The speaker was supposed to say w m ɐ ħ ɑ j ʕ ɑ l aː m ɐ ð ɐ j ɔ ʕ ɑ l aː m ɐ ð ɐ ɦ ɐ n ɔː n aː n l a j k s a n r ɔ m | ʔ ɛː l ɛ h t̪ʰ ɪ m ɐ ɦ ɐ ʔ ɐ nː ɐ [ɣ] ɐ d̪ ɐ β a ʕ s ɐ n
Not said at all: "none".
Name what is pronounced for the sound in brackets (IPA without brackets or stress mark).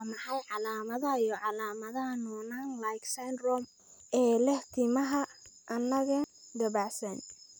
ɣ